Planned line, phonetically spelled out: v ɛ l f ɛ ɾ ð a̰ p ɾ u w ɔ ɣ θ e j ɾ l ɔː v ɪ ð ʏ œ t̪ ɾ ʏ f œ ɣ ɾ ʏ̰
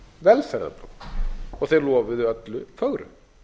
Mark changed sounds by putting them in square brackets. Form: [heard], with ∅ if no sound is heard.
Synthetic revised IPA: v ɛ l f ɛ ɾ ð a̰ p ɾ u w ɔ ɣ θ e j ɾ l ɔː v ɪ ð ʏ œ t̪ [l] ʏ f œ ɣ ɾ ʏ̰